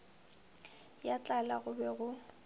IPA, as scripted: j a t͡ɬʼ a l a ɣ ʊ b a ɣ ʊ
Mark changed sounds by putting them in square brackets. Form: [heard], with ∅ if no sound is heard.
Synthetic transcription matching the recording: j a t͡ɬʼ a l a ɣ ʊ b [ɛ] ɣ ʊ